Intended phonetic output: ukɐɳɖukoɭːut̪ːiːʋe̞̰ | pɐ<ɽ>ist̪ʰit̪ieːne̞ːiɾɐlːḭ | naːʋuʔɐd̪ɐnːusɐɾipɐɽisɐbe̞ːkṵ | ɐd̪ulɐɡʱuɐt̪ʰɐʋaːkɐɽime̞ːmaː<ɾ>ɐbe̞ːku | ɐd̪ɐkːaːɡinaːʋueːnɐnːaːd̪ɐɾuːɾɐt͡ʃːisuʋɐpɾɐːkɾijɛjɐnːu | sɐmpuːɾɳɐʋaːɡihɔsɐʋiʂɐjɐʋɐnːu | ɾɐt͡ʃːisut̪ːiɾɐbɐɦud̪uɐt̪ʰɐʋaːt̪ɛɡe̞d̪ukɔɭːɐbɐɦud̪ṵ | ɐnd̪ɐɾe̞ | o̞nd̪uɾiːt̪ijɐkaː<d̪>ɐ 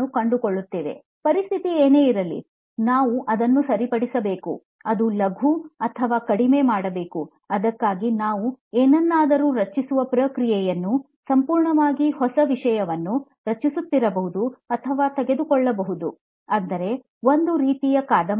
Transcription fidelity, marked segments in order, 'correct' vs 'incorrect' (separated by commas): incorrect, incorrect, correct